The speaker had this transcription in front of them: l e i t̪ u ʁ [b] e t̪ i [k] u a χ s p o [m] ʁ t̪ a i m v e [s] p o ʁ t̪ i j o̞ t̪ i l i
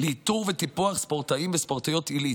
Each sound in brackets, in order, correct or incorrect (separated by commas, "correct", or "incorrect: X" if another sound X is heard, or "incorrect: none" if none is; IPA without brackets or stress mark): incorrect: v, incorrect: p, incorrect: none, correct